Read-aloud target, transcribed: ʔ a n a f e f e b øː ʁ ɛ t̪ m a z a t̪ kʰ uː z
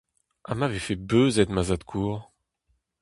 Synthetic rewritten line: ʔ a m a v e f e b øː z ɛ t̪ m a z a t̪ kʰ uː ʁ